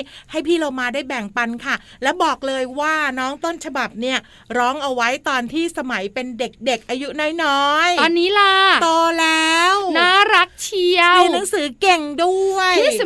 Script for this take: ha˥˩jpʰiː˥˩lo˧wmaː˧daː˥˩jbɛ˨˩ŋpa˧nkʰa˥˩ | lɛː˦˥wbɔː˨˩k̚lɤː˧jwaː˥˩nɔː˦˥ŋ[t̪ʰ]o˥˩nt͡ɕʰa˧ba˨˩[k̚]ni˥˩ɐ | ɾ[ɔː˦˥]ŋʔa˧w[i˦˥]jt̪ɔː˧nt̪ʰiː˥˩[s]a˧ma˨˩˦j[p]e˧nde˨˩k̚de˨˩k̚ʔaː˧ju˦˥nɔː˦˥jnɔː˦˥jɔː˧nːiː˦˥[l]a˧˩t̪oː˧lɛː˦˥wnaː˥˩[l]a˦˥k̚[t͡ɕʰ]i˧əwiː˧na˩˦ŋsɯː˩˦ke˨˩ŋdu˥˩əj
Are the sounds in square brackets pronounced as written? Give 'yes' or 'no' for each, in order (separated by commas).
no, no, yes, no, yes, yes, yes, no, yes